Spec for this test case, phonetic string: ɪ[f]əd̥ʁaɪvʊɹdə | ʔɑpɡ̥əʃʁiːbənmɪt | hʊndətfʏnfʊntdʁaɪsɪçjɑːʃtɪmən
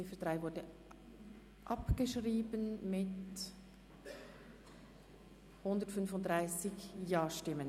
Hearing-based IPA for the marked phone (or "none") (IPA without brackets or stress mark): f